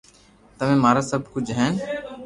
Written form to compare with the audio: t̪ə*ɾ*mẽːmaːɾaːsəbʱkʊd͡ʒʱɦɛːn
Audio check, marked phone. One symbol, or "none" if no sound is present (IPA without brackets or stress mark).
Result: none